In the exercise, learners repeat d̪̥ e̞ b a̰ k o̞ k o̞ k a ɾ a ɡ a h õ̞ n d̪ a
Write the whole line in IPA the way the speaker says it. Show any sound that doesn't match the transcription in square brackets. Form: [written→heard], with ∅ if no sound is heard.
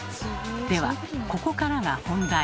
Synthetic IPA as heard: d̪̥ e̞ [b→β] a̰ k o̞ k o̞ k a ɾ a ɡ a h õ̞ n d̪ a